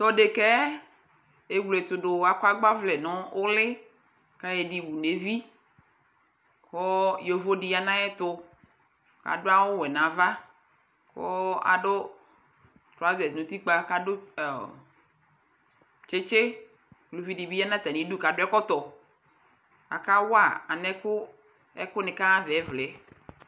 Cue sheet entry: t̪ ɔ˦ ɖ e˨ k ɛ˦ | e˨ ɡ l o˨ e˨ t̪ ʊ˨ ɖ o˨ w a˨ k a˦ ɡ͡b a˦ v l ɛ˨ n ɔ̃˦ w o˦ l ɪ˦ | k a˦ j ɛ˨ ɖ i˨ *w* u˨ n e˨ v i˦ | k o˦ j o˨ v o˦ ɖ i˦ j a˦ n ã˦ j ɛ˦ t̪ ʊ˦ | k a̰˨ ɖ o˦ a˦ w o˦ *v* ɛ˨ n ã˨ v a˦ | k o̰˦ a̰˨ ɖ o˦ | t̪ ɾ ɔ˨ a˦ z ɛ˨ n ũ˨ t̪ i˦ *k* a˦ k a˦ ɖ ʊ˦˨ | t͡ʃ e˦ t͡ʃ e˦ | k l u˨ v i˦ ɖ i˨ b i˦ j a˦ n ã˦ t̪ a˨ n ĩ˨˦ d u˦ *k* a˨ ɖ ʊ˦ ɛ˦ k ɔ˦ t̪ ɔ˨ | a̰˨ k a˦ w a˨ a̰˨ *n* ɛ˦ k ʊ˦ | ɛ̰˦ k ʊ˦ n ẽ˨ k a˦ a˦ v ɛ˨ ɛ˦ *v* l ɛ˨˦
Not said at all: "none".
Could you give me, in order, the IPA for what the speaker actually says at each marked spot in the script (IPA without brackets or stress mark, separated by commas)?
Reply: w, w, k͡p, k, n, v